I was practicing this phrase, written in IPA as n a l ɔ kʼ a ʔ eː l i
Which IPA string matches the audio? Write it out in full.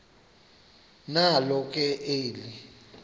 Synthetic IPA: n a l ɔ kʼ ɛ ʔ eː l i